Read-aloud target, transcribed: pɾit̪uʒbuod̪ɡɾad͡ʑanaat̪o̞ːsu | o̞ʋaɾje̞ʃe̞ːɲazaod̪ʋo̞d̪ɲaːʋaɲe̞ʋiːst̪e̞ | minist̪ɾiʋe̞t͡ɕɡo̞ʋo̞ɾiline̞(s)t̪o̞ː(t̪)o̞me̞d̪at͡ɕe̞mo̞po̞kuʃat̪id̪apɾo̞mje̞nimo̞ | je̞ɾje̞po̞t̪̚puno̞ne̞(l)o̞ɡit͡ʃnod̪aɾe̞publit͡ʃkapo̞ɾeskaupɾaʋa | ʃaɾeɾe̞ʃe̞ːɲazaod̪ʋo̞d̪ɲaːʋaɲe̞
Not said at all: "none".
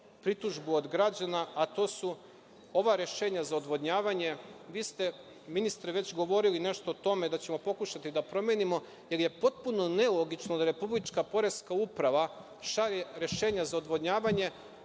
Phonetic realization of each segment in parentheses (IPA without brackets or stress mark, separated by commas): ʃ, t̪, l